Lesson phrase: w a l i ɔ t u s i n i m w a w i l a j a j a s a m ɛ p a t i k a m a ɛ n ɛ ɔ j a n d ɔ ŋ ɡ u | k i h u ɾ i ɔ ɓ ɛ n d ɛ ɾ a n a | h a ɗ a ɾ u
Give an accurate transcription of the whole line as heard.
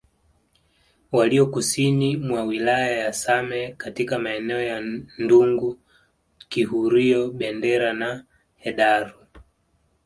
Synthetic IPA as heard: w a l i ɔ k u s i n i m w a w i l a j a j a s a m ɛ k a t i k a m a ɛ n ɛ ɔ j a n d u ŋ ɡ u | k i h u ɾ i ɔ ɓ ɛ n d ɛ ɾ a n a | h ɛ ɗ a ɾ u